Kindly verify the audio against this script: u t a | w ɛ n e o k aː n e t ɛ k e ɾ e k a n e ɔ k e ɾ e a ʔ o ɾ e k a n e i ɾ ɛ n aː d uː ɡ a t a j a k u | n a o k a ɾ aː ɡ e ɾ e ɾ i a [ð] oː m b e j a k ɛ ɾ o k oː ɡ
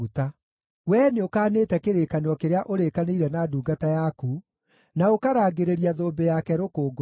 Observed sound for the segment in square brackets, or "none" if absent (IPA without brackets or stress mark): ð